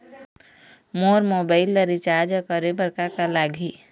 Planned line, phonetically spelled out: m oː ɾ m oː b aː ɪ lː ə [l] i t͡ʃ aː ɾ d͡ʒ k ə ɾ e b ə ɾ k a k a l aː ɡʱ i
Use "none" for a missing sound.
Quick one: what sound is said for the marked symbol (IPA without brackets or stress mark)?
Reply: ɾ